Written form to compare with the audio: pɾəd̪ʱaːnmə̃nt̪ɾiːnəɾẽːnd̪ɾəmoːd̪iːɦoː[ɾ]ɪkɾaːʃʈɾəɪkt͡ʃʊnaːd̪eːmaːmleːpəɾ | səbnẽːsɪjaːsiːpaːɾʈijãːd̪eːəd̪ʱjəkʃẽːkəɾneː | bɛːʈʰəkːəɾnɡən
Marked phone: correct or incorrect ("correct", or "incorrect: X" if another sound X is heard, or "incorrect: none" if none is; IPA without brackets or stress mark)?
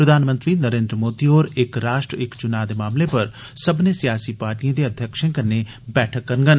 correct